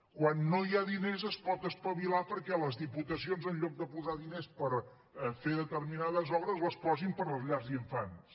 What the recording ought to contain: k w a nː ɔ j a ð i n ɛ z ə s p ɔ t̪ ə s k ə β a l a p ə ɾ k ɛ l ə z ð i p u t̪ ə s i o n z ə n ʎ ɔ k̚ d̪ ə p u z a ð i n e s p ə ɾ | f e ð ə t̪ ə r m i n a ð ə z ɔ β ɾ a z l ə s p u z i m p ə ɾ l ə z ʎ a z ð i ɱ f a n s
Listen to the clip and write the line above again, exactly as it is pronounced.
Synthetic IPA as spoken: k w a nː o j a ð i n e z ə s p ɔ t̪ ə s p ə β i l a p ə ɾ k ɛ l ə z ð i p u t̪ ə s i o n z ə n ʎ ɔ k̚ d̪ ə p u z a ð i n e s p ə ɾ | f e ð ə t̪ ə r m i n a ð ə z ɔ β ɾ ə z l ə s p ɔ z i m p ə ɾ l ə z ʎ a z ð i ɱ f a n s